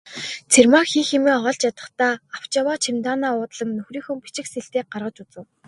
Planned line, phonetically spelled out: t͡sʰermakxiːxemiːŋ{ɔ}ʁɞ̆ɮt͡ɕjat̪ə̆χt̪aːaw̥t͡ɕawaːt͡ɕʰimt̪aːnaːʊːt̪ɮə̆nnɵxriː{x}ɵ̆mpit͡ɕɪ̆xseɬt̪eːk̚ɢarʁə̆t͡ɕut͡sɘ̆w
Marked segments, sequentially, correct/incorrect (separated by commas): correct, correct